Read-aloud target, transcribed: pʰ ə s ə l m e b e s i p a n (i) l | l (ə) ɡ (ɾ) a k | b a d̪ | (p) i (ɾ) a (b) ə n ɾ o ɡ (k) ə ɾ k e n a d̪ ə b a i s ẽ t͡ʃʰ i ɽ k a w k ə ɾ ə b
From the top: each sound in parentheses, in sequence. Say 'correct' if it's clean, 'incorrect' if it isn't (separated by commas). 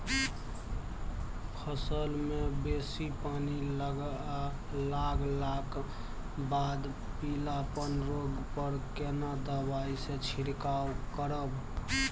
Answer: correct, incorrect, incorrect, correct, incorrect, incorrect, incorrect